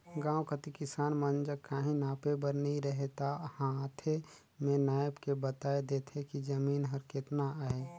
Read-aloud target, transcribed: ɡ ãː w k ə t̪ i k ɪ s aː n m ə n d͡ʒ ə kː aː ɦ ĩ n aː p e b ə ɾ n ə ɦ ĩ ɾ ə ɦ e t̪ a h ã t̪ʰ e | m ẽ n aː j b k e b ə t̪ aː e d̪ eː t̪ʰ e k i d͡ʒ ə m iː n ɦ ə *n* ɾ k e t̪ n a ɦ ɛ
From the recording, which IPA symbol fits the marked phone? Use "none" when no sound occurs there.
none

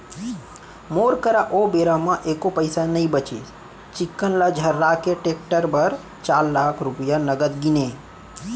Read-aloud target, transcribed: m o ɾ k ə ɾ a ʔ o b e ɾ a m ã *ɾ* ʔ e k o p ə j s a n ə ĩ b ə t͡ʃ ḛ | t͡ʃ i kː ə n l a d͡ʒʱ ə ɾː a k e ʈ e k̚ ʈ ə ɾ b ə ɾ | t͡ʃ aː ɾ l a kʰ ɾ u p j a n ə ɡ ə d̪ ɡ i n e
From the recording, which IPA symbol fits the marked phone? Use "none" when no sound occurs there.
none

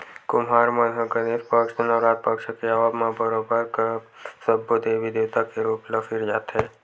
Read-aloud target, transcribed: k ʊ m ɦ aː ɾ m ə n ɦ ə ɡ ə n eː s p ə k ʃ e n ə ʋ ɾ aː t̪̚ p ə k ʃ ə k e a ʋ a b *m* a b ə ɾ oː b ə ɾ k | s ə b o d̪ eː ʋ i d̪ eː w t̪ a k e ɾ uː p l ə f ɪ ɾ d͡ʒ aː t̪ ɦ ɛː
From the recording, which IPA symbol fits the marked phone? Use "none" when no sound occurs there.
m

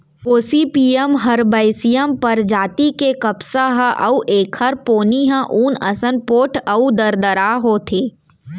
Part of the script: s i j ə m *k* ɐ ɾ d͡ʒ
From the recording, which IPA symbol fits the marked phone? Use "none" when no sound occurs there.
p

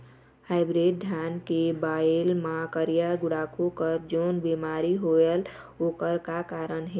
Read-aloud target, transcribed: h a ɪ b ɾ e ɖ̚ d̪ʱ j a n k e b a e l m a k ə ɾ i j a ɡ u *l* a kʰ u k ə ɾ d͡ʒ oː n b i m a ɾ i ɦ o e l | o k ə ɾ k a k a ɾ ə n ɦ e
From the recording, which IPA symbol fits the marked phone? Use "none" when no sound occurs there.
ɽ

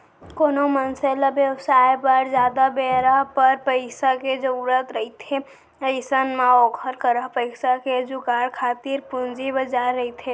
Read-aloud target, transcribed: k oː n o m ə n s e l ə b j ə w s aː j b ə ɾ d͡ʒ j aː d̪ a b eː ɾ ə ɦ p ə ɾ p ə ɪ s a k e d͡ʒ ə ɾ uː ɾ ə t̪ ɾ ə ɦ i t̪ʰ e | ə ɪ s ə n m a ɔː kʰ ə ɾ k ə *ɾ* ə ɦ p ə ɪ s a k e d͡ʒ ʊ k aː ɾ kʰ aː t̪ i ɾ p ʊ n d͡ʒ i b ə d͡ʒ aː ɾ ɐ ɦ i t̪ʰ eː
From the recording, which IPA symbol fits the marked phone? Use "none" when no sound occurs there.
ɾ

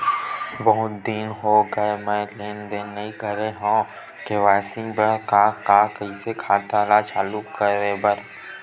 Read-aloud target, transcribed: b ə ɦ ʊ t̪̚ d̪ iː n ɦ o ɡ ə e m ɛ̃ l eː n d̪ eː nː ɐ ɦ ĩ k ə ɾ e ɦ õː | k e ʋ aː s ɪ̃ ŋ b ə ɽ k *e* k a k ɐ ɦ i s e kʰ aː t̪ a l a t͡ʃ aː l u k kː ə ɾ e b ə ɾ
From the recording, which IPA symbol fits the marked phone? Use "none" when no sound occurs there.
a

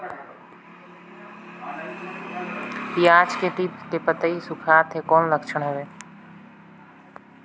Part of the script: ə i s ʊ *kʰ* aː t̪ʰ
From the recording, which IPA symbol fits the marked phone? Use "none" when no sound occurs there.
kʰ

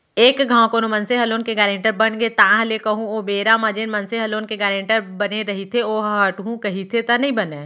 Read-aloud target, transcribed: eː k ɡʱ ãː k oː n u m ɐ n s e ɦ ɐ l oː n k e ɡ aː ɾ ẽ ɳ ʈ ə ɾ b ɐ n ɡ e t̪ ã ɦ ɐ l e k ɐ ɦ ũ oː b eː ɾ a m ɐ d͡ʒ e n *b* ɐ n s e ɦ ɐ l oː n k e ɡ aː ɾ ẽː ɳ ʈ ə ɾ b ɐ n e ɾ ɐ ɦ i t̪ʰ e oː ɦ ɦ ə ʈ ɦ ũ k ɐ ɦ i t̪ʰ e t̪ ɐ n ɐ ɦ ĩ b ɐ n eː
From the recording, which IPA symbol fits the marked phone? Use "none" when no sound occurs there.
m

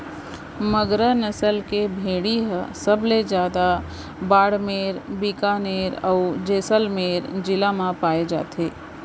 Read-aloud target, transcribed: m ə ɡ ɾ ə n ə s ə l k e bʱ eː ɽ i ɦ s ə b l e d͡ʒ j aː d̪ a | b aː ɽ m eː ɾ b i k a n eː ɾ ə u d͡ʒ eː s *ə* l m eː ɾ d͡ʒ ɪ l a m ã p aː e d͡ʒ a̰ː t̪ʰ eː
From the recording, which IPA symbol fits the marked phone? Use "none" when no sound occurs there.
ə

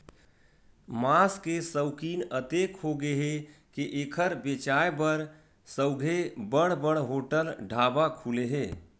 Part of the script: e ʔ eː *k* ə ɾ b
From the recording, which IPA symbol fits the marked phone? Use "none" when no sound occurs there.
kʰ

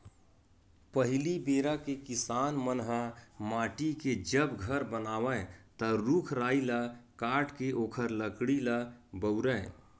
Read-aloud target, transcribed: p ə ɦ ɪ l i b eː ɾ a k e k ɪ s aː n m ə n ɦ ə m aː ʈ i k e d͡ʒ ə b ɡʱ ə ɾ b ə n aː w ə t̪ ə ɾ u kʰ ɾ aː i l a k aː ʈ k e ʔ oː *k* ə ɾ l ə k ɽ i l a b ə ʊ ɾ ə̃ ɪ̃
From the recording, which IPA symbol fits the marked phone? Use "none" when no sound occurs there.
kʰ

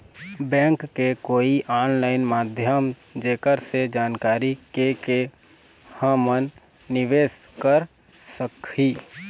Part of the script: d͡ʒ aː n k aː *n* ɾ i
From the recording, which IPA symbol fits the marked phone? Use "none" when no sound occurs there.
none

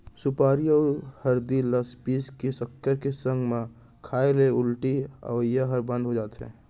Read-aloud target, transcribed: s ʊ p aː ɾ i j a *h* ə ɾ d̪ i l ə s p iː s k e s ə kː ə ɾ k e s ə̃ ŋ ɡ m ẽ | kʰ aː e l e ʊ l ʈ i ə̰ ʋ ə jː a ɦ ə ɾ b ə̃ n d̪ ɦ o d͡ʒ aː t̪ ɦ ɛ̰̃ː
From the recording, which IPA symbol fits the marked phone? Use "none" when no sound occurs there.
h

